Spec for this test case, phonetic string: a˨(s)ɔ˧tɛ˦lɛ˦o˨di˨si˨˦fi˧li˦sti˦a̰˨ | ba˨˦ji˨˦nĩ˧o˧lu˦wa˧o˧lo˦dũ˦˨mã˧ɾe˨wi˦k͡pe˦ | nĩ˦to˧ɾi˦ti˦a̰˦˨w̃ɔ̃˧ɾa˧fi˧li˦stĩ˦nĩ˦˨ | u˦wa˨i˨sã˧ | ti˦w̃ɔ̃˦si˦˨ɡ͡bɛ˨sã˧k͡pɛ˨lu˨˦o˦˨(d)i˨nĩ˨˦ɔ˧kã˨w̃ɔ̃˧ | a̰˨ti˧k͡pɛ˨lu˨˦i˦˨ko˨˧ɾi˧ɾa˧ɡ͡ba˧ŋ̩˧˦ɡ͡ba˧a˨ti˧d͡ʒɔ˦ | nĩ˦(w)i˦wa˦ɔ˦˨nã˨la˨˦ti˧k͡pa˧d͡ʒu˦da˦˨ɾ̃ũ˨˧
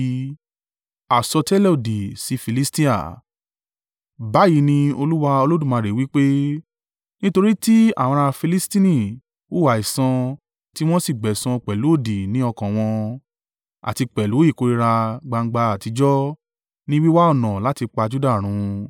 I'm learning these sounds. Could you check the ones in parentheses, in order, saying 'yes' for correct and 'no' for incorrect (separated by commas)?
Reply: yes, yes, yes